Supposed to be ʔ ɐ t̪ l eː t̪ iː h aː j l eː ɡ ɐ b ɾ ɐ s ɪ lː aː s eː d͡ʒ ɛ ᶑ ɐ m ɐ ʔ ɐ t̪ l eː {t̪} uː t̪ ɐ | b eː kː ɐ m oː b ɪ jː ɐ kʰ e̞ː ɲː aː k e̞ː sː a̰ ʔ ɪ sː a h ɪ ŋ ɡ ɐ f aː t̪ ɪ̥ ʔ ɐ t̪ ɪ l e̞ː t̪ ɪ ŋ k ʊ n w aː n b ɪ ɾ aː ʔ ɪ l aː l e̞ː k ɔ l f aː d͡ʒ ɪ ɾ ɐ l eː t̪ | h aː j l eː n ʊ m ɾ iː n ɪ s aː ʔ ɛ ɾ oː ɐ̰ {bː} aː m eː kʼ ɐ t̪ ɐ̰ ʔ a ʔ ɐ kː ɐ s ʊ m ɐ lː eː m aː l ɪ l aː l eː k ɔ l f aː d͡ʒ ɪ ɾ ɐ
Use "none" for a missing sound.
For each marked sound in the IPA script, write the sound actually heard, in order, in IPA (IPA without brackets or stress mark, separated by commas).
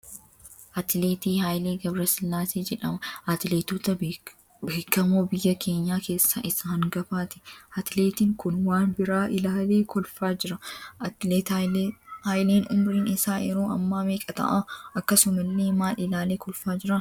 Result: t̪, mː